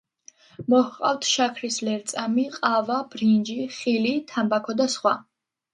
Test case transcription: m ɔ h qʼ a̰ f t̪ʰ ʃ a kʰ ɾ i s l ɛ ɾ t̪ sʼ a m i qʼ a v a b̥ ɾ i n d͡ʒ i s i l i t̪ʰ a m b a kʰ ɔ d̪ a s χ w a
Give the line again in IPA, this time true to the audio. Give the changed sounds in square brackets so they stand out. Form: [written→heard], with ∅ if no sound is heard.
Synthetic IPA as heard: m ɔ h qʼ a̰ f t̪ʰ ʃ a kʰ ɾ i s l ɛ ɾ t̪ sʼ a m i qʼ a v a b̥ ɾ i n d͡ʒ i [s→χ] i l i t̪ʰ a m b a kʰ ɔ d̪ a s χ w a